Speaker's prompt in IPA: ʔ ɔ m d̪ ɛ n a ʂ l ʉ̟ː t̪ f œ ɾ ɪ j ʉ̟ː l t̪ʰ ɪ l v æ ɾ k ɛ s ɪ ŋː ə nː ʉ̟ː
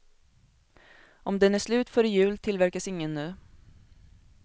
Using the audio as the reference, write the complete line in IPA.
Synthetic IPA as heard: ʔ ɔ m d̪ ɛ n æ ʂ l ʉ̟ː t̪ f œ ɾ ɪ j ʉ̟ː l t̪ʰ ɪ l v æ ɾ k a s ɪ ŋː ə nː ʉ̟ː